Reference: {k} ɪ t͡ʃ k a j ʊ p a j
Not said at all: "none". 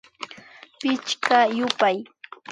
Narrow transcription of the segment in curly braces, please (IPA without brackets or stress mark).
p